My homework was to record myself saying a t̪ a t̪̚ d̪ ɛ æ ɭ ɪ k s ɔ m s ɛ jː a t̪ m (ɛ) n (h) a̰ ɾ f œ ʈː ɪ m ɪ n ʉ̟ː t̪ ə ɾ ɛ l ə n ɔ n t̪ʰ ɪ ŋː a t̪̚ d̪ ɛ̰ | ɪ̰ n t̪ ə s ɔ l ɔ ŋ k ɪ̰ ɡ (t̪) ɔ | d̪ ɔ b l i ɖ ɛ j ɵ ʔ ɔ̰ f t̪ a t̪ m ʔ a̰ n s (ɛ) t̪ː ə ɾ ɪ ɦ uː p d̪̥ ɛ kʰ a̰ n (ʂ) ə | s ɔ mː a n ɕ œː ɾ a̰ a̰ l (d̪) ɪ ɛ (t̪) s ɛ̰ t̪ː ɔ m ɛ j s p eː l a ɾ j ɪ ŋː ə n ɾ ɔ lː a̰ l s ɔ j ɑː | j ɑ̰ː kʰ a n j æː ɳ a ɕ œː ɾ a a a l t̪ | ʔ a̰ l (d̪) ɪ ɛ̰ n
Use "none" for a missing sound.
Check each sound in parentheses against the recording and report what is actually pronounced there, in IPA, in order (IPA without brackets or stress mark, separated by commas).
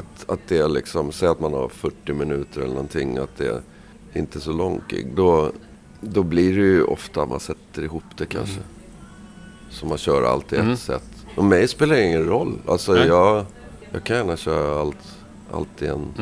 a, h, d̪, ɛ, ʂ, t̪, t̪, t̪